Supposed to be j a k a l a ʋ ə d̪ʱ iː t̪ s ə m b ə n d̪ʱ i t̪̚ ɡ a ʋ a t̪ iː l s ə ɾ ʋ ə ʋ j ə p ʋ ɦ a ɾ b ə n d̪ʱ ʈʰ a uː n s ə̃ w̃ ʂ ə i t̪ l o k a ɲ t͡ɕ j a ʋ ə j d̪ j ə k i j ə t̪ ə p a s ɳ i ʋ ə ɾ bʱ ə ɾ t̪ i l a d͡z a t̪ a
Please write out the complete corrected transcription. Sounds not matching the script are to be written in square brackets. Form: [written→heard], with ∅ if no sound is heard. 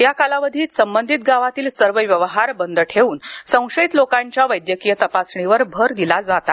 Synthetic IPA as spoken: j a k a l a ʋ ə d̪ʱ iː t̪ s ə m b ə n d̪ʱ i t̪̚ ɡ a ʋ a t̪ iː l s ə ɾ ʋ ə ʋ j ə [p→∅] ʋ ɦ a ɾ b ə n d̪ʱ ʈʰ [a→e] uː n s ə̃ w̃ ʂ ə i t̪ l o k a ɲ t͡ɕ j a ʋ ə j d̪ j ə k i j ə t̪ ə p a s ɳ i ʋ ə ɾ bʱ ə ɾ [t̪→d̪] i l a d͡z a t̪ a